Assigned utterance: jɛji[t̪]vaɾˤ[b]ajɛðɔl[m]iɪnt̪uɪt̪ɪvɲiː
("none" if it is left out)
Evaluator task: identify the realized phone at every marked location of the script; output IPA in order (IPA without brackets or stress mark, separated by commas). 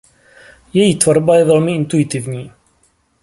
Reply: t̪, b, m